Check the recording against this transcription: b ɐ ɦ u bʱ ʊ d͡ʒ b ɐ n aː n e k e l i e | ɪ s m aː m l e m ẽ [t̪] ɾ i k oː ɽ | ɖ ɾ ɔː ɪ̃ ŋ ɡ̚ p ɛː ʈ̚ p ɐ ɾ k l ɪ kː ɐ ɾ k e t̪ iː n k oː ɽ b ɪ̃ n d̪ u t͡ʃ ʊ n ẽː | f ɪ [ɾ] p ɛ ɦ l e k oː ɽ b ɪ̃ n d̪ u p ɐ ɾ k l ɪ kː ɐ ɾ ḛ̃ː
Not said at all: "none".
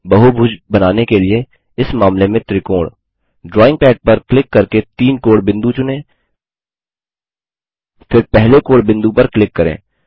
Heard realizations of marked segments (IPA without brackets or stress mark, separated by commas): t̪, ɾ